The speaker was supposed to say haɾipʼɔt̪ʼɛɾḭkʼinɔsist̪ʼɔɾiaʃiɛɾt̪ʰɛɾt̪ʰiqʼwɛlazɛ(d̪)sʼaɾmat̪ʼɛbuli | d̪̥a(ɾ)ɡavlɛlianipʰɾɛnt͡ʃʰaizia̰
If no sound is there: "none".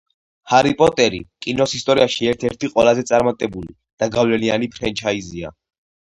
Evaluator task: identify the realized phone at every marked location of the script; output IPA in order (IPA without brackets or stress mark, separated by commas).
t̪, none